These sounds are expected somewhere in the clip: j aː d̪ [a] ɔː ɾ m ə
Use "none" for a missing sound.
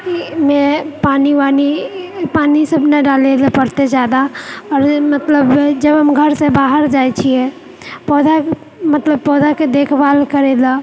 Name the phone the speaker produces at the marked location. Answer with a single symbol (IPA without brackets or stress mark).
a